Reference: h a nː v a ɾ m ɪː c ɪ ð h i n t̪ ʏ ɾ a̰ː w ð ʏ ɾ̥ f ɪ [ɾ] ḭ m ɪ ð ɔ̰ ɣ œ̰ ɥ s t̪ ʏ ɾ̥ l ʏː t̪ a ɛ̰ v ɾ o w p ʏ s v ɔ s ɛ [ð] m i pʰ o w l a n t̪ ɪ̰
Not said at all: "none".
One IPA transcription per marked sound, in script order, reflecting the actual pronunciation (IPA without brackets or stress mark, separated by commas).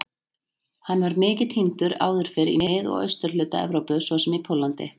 ɾ, none